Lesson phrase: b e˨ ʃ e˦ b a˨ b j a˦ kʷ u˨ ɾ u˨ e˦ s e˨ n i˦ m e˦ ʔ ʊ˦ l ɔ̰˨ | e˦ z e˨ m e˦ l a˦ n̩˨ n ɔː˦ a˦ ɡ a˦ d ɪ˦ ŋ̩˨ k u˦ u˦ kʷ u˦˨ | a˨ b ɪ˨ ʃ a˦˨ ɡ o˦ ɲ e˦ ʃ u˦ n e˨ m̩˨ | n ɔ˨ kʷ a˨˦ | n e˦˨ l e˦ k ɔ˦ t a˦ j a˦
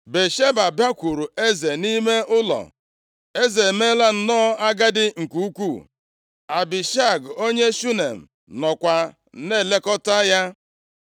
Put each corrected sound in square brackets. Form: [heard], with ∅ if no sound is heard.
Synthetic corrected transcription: b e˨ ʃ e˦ b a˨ b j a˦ kʷ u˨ ɾ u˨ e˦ [z] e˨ n i˦ m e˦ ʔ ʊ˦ l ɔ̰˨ | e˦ z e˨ m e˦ l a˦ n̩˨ n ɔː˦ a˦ ɡ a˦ d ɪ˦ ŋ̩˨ k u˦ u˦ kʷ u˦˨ | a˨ b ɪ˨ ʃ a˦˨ ɡ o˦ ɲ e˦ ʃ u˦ n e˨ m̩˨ | n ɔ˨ kʷ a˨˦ | n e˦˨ l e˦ k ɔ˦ t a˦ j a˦